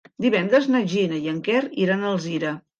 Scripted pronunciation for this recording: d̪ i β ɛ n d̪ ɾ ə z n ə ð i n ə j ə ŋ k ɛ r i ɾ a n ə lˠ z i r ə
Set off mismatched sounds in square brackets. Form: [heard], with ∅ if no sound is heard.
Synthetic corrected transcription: d̪ i β ɛ n d̪ ɾ ə z n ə [ʒ] i n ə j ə ŋ k ɛ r i ɾ a n ə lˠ z i [ɾ] ə

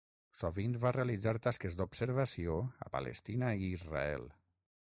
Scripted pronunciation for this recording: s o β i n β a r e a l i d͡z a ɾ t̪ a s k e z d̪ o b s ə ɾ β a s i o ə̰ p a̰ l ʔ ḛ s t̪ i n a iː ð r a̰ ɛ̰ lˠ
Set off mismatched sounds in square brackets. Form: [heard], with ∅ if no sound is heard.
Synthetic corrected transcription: s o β i n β a r e a l i d͡z a ɾ t̪ a s k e z d̪ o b s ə ɾ β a s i o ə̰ p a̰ l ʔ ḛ s t̪ i n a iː [z] r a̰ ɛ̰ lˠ

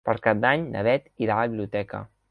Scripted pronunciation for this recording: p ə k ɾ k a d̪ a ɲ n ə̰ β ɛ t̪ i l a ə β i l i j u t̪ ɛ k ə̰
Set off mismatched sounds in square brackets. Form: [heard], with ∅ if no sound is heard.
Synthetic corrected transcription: p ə [∅] ɾ k a d̪ a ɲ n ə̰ β ɛ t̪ i [ɾ] a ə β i l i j u t̪ ɛ k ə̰

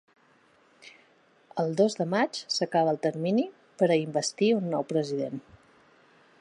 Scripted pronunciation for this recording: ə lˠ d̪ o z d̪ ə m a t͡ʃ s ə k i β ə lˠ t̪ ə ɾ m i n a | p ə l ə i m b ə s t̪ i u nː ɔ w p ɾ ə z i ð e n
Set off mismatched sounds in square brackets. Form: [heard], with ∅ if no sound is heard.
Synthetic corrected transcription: ə lˠ d̪ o z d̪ ə m a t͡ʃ s ə k [a] β ə lˠ t̪ ə ɾ m i n [i] | p ə [ɾ] ə i m b ə s t̪ i u nː ɔ w p ɾ ə z i ð e n

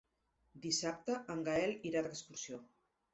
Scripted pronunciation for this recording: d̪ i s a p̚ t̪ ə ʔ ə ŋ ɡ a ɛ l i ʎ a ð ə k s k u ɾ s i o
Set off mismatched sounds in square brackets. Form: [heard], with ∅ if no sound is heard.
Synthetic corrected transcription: d̪ i s a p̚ t̪ ə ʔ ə ŋ ɡ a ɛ l i [ɾ] a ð ə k s k u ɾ s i o

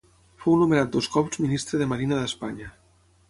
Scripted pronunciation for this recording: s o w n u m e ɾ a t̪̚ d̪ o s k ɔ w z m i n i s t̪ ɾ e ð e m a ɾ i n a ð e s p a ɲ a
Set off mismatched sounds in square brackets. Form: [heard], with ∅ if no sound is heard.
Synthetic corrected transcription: [f] o w n u m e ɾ a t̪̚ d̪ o s k ɔ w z m i n i s t̪ ɾ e ð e m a ɾ i n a ð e s p a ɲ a

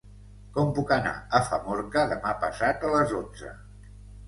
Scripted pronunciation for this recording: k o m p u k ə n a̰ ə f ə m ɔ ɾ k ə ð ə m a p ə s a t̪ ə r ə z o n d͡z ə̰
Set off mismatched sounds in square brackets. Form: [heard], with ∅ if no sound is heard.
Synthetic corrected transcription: k [ɔ] m p u k ə n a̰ ə f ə m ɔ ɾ k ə ð ə m a p ə s a t̪ ə [l] ə z o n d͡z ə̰

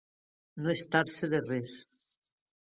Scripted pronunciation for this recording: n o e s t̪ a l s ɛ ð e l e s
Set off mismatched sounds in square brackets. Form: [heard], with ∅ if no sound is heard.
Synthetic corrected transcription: n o e s t̪ a [ɾ] s [e] ð e [r] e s

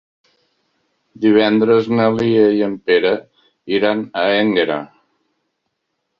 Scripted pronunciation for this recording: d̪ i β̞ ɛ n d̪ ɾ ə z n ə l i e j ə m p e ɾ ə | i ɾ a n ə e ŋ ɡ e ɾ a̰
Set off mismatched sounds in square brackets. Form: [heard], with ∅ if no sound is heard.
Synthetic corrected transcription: d̪ i β̞ ɛ n d̪ ɾ ə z n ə l i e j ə m p e ɾ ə | i ɾ a n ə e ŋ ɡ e ɾ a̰

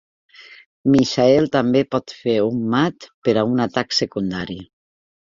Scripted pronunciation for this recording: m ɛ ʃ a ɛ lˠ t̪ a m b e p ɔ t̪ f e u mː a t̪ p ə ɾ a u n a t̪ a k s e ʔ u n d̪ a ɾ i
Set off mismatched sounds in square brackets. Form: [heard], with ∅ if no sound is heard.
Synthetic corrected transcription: m [i] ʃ a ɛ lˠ t̪ a m b e p ɔ t̪ f e u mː a t̪ p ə ɾ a u n a t̪ a k s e [k] u n d̪ a ɾ i

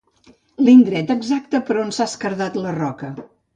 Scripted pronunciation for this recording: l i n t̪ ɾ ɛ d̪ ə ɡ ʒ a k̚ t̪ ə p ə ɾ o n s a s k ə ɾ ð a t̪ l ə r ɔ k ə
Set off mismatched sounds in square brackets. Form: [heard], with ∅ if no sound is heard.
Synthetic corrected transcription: l i n [d̪] ɾ ɛ [t̪] ə ɡ [z] a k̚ t̪ ə p ə ɾ o n s a s k ə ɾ ð a t̪ l ə r ɔ k ə

